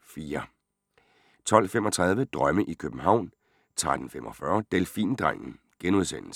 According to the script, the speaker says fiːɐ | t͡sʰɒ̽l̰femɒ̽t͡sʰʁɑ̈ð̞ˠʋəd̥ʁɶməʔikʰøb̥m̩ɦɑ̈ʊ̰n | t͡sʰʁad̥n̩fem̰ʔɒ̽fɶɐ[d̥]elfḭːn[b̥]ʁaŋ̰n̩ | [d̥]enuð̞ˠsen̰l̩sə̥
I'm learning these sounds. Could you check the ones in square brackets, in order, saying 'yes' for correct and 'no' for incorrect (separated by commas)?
yes, no, no